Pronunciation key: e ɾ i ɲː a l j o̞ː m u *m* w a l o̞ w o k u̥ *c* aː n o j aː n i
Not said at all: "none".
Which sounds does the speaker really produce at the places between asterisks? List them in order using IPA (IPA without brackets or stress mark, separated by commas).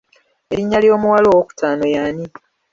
none, t